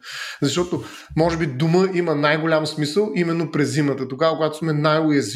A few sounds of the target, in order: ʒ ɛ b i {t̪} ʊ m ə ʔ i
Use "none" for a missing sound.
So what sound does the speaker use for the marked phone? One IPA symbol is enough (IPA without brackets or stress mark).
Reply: d̪